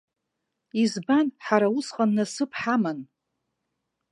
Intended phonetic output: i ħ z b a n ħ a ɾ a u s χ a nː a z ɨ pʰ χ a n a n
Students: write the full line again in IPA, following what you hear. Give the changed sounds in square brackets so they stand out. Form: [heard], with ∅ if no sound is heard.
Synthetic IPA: i [∅] z b a n ħ a ɾ a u s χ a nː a [s] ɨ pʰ [ħ] a [m] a n